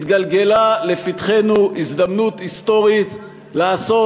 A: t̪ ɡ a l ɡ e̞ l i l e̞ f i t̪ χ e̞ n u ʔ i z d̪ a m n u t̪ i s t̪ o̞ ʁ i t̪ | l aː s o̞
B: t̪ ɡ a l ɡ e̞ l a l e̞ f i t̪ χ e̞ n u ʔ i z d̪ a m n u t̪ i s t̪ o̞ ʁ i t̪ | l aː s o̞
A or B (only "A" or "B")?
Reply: B